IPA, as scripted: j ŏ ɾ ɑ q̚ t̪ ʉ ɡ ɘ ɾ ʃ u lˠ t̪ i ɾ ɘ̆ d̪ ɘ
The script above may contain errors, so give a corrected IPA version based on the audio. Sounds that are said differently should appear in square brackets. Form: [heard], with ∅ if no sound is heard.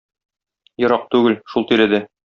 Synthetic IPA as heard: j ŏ ɾ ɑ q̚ t̪ ʉ ɡ ɘ [l] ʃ u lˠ t̪ i ɾ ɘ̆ d̪ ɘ